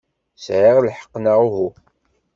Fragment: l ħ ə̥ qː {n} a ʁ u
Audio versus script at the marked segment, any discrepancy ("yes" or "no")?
no